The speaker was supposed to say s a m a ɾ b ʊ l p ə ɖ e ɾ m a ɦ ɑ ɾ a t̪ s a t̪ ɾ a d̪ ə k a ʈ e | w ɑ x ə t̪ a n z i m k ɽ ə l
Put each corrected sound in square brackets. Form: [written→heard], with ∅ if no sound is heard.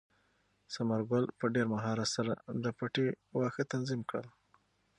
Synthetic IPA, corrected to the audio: s a m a ɾ [b→ɡ] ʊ l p ə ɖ e ɾ m a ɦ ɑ ɾ a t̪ s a [t̪→∅] ɾ a d̪ ə [k→p] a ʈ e | w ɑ x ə t̪ a n z i m k ɽ ə l